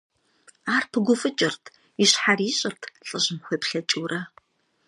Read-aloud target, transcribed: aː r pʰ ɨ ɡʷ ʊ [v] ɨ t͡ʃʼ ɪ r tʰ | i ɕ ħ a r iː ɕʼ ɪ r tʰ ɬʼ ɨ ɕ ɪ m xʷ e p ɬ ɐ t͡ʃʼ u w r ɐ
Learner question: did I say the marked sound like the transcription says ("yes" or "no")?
no